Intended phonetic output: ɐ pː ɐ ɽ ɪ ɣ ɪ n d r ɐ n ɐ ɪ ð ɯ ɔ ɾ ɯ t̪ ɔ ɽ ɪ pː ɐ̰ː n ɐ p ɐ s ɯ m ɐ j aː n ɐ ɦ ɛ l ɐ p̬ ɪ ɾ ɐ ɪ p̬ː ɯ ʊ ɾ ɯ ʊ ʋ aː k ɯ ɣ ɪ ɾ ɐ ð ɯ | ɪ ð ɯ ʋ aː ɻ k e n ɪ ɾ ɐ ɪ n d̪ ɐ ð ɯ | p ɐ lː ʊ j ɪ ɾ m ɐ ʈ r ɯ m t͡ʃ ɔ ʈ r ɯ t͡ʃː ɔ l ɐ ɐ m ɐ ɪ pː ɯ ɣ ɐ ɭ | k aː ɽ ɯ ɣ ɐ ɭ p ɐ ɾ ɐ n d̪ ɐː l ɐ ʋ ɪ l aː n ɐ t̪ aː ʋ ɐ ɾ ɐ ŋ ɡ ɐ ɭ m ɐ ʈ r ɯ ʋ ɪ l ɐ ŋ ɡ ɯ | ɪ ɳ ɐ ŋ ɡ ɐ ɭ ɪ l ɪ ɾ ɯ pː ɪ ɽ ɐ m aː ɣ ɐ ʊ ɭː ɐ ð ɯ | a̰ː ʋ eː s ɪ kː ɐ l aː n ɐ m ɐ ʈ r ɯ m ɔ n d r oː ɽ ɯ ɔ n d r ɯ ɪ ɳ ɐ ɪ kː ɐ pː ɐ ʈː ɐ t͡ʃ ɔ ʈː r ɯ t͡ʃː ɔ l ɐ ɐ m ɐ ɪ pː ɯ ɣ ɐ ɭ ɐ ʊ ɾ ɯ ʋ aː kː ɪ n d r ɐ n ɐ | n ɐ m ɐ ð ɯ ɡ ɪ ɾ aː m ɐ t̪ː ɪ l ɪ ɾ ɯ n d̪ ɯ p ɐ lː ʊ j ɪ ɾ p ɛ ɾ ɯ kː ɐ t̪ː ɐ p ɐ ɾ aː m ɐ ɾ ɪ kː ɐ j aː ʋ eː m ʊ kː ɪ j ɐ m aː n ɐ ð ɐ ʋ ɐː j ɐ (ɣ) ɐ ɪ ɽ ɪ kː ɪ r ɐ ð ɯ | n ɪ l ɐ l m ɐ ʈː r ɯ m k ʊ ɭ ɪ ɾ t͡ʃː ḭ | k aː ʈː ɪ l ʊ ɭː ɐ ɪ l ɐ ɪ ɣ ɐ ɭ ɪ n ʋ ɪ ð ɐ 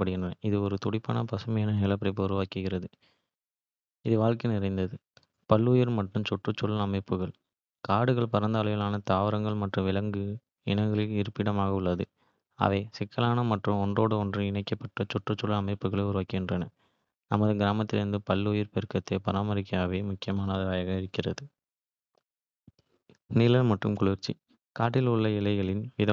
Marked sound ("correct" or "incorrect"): correct